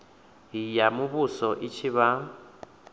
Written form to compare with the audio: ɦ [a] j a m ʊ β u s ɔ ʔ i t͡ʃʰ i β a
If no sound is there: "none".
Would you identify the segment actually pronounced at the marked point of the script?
i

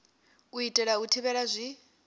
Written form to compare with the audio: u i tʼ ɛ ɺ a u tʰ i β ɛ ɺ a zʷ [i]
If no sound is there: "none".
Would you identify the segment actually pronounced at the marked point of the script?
i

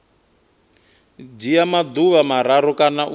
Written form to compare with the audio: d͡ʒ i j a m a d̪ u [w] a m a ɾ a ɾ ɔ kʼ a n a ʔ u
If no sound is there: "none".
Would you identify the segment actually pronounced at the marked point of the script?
β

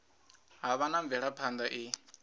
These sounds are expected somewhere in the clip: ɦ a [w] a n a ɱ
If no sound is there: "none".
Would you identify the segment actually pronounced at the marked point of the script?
β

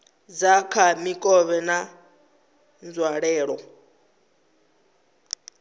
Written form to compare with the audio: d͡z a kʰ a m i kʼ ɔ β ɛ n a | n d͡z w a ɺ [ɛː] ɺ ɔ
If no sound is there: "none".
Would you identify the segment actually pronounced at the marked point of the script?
ɛː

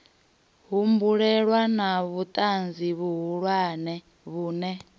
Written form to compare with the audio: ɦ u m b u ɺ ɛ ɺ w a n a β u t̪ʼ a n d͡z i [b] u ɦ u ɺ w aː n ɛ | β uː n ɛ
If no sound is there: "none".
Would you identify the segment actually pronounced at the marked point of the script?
β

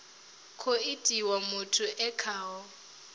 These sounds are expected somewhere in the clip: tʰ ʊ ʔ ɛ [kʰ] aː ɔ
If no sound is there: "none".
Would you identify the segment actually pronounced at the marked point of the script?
kʰ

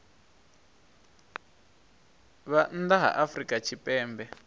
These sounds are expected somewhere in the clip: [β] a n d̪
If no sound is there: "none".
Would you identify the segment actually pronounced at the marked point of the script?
β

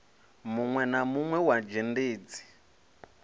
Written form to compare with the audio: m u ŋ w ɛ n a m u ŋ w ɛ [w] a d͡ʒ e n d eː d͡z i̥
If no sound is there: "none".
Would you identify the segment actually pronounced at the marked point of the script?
w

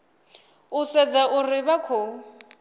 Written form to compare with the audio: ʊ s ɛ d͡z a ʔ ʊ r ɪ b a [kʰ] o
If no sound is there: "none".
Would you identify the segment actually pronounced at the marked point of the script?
kʰ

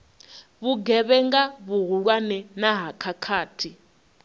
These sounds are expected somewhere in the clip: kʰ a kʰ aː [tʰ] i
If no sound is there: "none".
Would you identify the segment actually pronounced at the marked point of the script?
tʰ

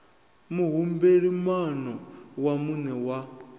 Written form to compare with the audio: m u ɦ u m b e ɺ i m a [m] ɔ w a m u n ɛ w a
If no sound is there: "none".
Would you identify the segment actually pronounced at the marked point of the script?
n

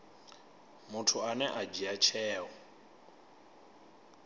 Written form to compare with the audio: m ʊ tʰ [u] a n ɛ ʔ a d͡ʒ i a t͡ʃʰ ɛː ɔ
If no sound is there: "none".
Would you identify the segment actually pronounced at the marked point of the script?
ʊ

